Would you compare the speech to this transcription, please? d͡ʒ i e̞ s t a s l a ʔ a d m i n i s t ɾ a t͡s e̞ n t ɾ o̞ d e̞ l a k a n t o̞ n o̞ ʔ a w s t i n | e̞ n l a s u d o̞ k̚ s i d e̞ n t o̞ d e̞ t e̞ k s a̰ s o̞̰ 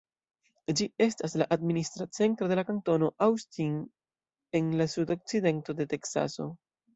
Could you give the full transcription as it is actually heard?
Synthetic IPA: d͡ʒ i e̞ s t a s l a ʔ a d m i n i s t ɾ a t͡s e̞ n t ɾ o̞ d e̞ l a k a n t o̞ n o̞ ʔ a w s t i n | e̞ n l a s u d o̞ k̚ t͡s i d e̞ n t o̞ d e̞ t e̞ k s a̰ s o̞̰